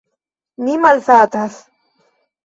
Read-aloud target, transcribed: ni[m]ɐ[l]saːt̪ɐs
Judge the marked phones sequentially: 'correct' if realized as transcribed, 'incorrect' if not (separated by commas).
correct, correct